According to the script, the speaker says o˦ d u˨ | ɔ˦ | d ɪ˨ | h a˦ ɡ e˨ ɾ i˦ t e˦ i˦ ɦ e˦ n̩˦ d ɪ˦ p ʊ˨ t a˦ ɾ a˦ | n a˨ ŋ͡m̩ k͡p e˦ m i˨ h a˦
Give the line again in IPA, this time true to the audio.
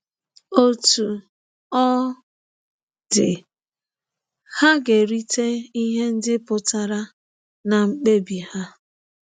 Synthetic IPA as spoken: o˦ t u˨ | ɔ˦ | d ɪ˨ | h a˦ ɡ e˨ ɾ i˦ t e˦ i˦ ɦ e˦ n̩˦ d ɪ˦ p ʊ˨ t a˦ ɾ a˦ | n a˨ ŋ͡m̩ k͡p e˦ b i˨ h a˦